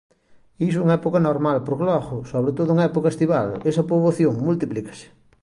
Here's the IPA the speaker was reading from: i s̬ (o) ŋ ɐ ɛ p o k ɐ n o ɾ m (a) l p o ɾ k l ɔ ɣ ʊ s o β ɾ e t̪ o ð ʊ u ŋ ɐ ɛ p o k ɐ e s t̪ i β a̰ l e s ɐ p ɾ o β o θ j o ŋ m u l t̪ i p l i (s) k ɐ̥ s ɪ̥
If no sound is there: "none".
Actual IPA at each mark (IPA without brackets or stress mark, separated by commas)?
u, a, none